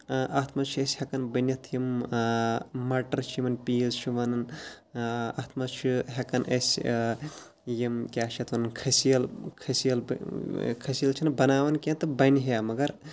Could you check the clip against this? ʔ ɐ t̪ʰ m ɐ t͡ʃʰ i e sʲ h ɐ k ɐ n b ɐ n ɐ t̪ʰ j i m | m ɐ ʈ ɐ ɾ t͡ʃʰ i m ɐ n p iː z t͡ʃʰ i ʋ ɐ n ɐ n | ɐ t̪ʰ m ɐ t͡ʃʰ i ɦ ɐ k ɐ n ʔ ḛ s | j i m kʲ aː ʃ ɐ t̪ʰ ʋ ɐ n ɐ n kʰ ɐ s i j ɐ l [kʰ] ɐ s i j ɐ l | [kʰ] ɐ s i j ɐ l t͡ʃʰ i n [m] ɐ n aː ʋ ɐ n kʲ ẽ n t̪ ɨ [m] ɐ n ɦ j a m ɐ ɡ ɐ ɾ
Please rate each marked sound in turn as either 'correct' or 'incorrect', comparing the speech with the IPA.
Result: correct, correct, incorrect, incorrect

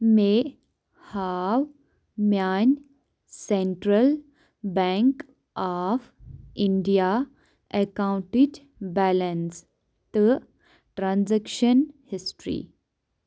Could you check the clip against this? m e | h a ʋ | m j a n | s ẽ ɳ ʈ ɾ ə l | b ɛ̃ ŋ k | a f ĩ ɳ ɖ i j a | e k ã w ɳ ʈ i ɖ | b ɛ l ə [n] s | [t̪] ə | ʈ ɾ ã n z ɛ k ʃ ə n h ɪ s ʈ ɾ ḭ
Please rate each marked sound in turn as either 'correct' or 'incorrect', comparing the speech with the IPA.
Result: correct, correct

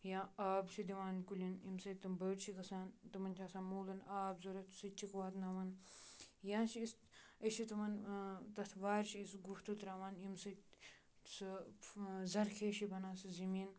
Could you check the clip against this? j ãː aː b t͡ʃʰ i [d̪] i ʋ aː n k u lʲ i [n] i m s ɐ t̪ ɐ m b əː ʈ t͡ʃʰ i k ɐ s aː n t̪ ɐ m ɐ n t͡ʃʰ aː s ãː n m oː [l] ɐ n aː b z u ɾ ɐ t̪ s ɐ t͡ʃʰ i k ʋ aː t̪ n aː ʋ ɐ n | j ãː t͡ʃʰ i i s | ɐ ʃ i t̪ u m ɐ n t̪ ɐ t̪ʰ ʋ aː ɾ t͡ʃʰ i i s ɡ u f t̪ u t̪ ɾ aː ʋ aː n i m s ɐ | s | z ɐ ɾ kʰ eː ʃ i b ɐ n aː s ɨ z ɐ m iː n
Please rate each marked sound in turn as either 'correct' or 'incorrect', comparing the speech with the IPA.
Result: correct, correct, correct

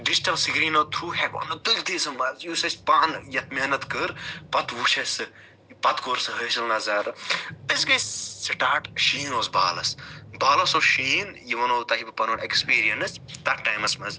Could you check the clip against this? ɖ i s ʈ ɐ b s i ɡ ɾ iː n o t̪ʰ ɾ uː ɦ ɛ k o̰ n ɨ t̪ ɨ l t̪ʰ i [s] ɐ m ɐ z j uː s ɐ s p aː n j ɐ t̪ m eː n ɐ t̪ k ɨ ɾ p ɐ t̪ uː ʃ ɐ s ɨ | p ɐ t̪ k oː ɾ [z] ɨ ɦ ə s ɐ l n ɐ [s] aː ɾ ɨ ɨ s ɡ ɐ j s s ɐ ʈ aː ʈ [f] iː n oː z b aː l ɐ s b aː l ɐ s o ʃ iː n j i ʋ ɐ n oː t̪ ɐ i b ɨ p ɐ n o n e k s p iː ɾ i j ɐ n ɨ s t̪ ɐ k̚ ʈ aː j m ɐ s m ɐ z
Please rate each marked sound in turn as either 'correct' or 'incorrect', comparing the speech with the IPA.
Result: correct, incorrect, incorrect, incorrect

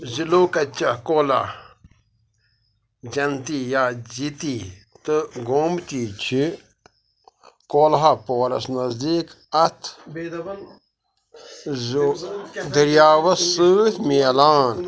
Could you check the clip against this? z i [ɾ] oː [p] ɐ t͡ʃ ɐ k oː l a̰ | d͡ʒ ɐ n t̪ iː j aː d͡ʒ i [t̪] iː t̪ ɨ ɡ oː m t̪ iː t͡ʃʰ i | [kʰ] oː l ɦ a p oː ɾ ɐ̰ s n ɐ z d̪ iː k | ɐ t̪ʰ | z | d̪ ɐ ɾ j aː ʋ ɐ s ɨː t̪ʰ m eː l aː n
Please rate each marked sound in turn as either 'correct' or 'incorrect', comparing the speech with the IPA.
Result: incorrect, incorrect, correct, incorrect

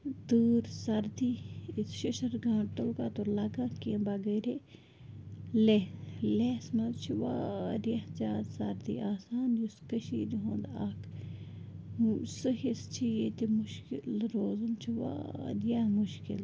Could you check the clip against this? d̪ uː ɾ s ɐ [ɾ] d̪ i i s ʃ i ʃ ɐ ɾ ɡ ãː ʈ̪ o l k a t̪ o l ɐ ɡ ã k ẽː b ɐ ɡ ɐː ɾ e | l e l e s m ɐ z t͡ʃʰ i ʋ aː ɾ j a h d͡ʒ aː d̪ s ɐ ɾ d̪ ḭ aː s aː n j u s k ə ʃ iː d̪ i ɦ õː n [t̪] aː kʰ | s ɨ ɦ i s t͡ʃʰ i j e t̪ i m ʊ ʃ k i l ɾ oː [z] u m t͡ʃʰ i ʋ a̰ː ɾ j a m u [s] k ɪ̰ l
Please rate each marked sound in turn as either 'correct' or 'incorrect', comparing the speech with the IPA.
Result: correct, incorrect, correct, incorrect

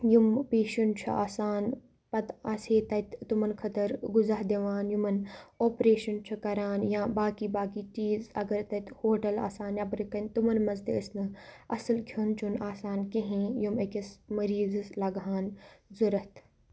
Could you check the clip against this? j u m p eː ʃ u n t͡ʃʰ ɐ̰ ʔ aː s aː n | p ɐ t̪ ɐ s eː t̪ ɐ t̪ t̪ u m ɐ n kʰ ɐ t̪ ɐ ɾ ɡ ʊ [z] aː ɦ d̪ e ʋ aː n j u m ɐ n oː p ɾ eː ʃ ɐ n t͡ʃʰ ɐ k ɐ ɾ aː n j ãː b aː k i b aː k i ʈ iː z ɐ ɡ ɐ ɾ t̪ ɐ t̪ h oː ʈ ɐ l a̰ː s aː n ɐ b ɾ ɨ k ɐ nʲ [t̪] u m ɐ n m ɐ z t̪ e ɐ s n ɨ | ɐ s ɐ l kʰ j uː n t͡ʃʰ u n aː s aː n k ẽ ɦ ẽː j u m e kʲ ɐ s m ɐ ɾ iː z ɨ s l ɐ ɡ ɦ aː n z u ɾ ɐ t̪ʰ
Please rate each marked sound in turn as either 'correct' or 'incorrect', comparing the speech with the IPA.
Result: correct, correct

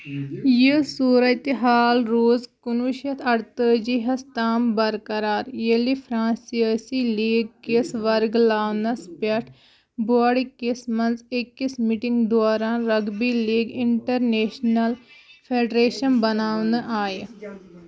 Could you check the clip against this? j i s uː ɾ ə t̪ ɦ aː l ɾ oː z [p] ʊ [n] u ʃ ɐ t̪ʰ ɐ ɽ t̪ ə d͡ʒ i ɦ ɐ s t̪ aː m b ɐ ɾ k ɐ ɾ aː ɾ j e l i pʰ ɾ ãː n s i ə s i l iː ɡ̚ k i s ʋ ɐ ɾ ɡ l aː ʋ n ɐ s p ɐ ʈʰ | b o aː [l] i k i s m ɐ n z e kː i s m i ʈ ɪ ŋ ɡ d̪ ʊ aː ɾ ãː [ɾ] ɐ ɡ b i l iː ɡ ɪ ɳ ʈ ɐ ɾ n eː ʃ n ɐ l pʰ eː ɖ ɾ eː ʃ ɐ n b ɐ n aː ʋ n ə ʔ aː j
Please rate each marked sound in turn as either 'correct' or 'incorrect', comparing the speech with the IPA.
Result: incorrect, correct, incorrect, correct

